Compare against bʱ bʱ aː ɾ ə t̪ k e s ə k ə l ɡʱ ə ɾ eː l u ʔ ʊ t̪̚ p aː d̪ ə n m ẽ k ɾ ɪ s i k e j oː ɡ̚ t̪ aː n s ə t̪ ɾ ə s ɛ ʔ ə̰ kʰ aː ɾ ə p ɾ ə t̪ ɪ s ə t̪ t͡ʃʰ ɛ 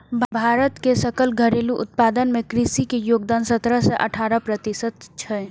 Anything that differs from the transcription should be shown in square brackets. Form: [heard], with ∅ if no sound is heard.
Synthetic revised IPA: bʱ bʱ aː ɾ ə t̪ k e s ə k ə l ɡʱ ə ɾ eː l u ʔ ʊ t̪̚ p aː d̪ ə n m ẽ k ɾ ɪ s i k e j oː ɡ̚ [d̪] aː n s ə t̪ ɾ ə s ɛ ʔ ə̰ [ʈʰ] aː ɾ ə p ɾ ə t̪ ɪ s ə t̪ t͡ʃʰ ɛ